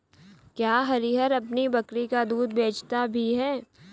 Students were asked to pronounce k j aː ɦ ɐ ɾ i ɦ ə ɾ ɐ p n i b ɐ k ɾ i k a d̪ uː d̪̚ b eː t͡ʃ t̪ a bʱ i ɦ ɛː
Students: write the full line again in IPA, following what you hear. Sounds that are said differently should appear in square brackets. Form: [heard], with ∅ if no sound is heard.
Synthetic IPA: k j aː ɦ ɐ ɾ i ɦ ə ɾ ɐ p n i b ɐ k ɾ i k a d̪ uː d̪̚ b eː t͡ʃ t̪ a bʱ i ɦ ɛː